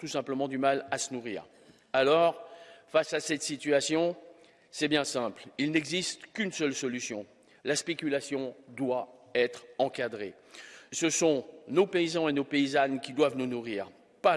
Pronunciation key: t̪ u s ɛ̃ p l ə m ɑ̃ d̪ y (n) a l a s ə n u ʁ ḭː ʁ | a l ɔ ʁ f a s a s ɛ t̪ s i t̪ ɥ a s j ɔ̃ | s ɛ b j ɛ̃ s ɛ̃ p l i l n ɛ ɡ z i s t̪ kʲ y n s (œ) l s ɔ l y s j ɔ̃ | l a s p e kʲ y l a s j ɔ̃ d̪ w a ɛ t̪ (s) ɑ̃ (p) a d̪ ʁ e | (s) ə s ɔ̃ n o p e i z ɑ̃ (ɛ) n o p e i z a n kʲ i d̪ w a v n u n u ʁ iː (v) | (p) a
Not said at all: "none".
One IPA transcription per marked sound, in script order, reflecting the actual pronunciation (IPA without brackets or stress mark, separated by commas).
m, œ, χ, k, s, e, ʁ, p